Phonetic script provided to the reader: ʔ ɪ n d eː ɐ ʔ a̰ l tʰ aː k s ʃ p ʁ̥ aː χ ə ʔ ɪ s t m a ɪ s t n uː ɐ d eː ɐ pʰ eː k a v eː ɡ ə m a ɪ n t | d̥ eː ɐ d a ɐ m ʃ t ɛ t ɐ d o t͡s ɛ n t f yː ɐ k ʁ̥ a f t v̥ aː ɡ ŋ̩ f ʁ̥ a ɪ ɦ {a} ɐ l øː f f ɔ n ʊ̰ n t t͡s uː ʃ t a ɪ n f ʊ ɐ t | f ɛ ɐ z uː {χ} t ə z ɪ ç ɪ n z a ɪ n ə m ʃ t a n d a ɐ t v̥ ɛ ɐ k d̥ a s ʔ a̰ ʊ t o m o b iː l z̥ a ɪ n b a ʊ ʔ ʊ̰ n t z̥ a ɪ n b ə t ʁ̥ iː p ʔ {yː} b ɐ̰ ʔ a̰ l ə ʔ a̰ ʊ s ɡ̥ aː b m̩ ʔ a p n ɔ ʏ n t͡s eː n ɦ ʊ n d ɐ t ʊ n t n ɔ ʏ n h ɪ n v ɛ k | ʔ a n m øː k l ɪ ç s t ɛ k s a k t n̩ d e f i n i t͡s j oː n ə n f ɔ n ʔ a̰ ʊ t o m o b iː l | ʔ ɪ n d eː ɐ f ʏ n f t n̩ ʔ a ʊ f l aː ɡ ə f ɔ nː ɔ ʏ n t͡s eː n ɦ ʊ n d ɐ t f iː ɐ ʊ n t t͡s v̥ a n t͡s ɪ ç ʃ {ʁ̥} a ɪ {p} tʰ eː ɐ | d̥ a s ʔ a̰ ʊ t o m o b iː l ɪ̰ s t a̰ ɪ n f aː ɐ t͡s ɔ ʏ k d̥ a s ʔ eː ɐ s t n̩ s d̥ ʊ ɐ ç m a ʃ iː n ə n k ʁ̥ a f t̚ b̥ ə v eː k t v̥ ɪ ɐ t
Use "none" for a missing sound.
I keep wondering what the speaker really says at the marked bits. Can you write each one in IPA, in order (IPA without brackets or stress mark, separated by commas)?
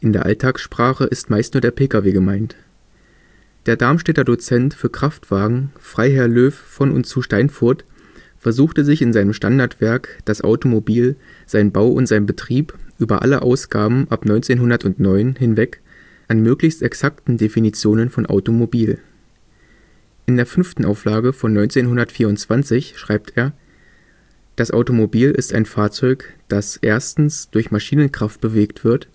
ɛ, x, yː, ʁ̥, p